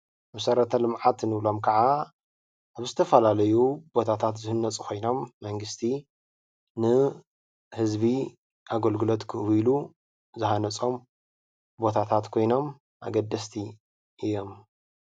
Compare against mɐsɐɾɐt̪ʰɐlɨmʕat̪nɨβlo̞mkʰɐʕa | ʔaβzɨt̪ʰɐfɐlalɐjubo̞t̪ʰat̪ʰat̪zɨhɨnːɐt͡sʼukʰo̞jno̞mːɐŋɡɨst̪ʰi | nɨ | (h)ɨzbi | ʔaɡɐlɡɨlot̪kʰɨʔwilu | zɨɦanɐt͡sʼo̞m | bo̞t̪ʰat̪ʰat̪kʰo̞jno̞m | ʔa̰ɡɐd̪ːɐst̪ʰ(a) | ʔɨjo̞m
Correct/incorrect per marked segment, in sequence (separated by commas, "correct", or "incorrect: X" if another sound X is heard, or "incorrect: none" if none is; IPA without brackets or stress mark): correct, incorrect: i